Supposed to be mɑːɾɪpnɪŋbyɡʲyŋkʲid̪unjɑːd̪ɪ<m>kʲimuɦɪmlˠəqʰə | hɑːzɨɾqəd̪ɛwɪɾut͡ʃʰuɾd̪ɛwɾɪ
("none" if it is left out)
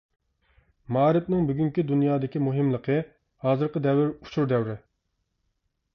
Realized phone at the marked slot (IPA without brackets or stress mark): none